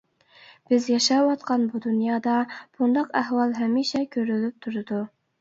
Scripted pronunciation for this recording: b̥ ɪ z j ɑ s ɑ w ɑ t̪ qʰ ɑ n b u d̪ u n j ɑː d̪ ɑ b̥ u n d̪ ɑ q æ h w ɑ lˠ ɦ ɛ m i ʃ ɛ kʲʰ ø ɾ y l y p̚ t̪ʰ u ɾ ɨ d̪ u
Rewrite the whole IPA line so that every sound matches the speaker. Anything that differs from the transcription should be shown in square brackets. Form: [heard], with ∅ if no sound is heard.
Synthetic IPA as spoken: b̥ ɪ z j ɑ [ʃ] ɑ w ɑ t̪ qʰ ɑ n b u d̪ u n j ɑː d̪ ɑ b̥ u n d̪ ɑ q æ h w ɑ lˠ ɦ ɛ m i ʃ ɛ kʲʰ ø ɾ y l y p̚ t̪ʰ u ɾ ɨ d̪ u

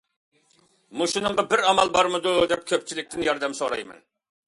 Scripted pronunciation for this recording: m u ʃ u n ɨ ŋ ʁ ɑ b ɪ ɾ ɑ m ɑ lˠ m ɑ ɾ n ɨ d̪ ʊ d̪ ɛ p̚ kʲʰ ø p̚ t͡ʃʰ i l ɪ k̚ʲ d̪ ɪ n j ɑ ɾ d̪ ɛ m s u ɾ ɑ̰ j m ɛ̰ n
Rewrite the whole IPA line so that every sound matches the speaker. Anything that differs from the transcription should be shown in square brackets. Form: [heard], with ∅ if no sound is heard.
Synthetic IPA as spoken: m u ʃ u n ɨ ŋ ʁ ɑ b ɪ ɾ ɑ m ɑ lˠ [b] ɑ ɾ [m] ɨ d̪ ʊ d̪ ɛ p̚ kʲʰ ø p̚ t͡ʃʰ i l ɪ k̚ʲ [t̪] ɪ n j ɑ ɾ d̪ ɛ m s [o] ɾ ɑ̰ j m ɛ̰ n

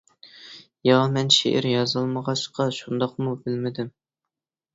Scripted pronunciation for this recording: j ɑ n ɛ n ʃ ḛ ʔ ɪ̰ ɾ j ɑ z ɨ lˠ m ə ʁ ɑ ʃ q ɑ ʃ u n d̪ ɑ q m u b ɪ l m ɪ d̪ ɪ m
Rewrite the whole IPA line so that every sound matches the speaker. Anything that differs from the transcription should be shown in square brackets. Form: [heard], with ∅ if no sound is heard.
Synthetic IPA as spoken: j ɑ [m] ɛ n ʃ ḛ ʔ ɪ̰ ɾ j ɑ z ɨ lˠ m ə ʁ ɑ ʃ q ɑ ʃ u n d̪ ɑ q m u b ɪ l m ɪ d̪ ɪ m

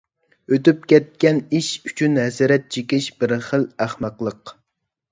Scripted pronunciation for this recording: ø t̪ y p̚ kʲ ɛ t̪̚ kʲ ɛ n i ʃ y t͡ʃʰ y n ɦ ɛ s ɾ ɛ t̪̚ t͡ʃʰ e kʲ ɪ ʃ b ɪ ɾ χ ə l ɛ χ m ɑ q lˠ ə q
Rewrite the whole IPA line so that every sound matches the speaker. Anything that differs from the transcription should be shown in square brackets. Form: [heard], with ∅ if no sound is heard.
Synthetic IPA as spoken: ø t̪ y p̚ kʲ ɛ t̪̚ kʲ ɛ n i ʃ y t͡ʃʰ y n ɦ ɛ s ɾ ɛ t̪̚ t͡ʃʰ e kʲ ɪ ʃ b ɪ ɾ χ ə l [æ] χ m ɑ q lˠ ə q

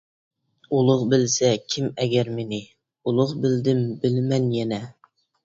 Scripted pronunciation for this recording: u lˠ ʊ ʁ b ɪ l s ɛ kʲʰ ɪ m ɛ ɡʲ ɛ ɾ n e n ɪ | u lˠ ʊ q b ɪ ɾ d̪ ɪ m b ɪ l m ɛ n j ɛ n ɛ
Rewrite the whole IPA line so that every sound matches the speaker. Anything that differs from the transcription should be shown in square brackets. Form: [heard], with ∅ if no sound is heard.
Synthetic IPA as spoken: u lˠ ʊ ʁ b ɪ l s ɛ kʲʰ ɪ m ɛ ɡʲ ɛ ɾ [m] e n ɪ | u lˠ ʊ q b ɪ [l] d̪ ɪ m b ɪ l m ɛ n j ɛ n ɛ

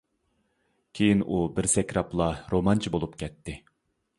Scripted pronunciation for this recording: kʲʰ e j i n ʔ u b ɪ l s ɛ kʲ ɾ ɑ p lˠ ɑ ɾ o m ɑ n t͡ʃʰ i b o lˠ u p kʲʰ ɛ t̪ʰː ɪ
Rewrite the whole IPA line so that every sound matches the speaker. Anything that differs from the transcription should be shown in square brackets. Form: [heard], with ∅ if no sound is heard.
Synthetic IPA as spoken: kʲʰ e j i n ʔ u b ɪ [ɾ] s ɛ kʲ ɾ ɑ p lˠ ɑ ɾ o m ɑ n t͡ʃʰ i b o lˠ u p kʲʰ ɛ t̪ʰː ɪ

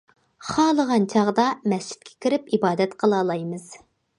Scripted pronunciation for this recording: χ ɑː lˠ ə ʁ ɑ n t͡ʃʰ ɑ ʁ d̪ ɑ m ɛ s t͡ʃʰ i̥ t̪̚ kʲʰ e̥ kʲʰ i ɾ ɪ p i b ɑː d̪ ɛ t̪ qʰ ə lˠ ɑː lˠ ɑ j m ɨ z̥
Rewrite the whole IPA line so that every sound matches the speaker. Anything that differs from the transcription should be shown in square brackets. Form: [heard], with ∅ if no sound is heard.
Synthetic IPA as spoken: χ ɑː lˠ ə ʁ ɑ n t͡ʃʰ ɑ ʁ d̪ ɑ m ɛ s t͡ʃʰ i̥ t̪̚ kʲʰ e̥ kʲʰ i ɾ ɪ p i b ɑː d̪ ɛ t̪ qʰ ə lˠ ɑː lˠ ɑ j m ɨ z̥

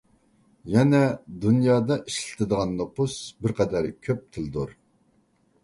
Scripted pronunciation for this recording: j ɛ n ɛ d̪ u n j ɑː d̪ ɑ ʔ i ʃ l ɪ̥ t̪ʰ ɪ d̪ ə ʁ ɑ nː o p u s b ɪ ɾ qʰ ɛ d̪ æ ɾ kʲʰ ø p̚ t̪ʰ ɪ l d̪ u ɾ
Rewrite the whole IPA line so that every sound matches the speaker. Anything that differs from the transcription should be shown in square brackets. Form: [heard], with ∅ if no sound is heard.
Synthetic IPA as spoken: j ɛ n ɛ d̪ u n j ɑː d̪ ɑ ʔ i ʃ l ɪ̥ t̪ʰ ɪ d̪ ə ʁ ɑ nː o p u s b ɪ ɾ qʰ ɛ d̪ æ ɾ kʲʰ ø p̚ t̪ʰ ɪ l d̪ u ɾ

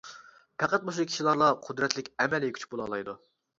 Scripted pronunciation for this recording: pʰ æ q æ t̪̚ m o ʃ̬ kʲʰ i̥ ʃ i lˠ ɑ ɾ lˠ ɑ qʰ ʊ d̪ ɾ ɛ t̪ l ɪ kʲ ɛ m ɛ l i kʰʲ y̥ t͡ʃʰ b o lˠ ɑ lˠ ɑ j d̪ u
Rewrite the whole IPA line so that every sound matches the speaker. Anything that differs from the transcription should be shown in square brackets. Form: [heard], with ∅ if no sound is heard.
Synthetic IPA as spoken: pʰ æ q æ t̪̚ m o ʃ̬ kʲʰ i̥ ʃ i lˠ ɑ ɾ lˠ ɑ qʰ ʊ d̪ ɾ ɛ t̪ l ɪ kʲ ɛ m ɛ l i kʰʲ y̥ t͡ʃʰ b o lˠ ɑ lˠ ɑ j d̪ u

